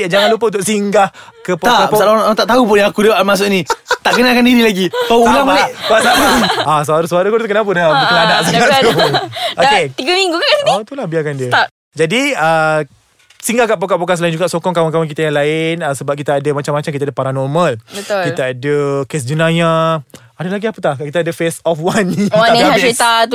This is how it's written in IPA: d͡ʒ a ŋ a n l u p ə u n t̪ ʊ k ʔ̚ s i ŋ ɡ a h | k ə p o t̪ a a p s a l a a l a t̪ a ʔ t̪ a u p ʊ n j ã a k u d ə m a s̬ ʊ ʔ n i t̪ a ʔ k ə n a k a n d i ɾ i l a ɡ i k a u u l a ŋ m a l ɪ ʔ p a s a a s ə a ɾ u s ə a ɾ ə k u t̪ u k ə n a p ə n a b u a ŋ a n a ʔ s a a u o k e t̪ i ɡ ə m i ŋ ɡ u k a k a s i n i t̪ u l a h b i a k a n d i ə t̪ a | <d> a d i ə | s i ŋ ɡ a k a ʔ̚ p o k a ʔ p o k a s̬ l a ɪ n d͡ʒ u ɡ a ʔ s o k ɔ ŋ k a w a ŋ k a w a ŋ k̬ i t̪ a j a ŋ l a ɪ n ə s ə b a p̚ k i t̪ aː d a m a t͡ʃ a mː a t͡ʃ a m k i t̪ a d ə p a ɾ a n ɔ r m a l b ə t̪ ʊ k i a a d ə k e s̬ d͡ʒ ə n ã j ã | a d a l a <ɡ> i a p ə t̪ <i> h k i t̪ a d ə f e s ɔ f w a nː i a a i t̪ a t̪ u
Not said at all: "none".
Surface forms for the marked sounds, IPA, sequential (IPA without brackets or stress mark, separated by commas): d͡ʒ, ɡ, a